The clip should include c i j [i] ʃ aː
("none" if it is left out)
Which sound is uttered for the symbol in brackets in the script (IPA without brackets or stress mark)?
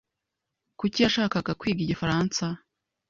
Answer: a